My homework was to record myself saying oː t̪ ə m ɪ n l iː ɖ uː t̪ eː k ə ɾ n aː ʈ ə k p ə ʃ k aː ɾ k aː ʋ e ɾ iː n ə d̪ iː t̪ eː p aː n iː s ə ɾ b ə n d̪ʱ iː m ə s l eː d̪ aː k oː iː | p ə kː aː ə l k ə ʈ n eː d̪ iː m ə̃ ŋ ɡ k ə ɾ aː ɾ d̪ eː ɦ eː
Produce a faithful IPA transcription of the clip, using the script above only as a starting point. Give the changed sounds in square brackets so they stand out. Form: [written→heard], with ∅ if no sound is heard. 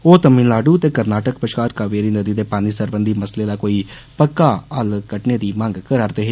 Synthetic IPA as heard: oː t̪ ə m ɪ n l [iː→aː] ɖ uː t̪ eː k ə ɾ n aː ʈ ə k p ə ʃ k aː ɾ k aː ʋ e ɾ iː n ə d̪ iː [t̪→d̪] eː p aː n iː s ə ɾ b ə n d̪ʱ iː m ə s l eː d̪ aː k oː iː | p ə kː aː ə l k ə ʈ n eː d̪ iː m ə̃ ŋ ɡ k ə ɾ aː ɾ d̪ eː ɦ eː